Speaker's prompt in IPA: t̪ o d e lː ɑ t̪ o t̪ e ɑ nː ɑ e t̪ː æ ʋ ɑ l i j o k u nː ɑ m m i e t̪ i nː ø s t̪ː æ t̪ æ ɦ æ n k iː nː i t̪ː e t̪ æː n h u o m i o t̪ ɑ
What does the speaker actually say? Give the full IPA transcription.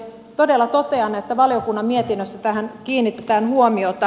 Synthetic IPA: t̪ o d e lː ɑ t̪ o t̪ e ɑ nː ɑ e t̪ː æ ʋ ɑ l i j o k u nː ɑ m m i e t̪ i nː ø s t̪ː æ t̪ æ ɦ æ n k iː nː i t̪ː e t̪ æː n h u o m i o t̪ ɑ